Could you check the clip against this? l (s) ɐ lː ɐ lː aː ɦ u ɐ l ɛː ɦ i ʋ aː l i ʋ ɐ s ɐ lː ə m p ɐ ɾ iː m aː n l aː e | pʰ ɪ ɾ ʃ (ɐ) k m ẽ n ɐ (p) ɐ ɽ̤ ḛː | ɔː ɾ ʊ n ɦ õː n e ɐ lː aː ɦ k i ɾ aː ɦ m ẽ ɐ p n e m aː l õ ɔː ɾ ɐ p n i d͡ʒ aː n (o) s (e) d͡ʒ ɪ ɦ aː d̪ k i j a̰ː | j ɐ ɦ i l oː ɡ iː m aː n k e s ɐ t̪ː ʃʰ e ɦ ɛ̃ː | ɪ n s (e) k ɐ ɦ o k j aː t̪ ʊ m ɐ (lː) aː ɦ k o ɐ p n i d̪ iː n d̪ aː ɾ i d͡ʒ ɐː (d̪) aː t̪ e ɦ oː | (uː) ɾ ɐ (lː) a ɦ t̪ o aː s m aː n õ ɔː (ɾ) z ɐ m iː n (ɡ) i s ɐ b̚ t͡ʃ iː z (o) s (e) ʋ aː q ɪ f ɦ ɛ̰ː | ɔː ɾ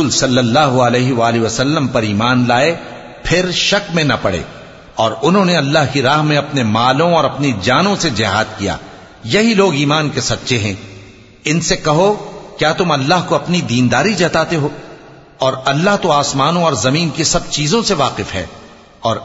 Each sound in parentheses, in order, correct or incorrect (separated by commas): correct, correct, correct, incorrect, correct, correct, correct, incorrect, incorrect, correct, correct, incorrect, incorrect, correct